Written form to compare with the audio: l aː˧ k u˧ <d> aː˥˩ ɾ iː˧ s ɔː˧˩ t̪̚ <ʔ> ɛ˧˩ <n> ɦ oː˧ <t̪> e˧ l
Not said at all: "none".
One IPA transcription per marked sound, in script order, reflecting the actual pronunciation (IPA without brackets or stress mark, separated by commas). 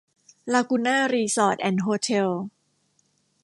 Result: n, ʔ, n, t̪ʰ